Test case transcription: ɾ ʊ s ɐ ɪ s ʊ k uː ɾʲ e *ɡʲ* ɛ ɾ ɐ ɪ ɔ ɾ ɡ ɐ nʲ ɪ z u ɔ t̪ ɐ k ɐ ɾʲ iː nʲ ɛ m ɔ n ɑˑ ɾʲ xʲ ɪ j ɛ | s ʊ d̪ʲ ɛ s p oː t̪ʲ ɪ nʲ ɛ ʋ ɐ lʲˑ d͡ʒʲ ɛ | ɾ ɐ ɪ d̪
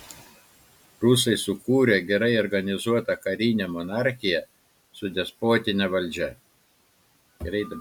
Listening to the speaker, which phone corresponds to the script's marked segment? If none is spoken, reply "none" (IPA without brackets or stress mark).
ɡʲ